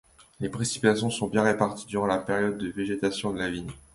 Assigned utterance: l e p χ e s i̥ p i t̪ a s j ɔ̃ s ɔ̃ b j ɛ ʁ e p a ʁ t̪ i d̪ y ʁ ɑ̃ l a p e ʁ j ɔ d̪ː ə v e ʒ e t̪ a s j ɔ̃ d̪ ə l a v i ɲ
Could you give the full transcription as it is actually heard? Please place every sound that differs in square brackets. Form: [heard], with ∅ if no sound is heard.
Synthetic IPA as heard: l e p χ e s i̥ p i t̪ a s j ɔ̃ s ɔ̃ b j [ɛ̃] ʁ e p a ʁ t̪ i d̪ y ʁ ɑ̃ l a p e ʁ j ɔ d̪ː ə v e ʒ e t̪ a s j ɔ̃ d̪ ə l a v i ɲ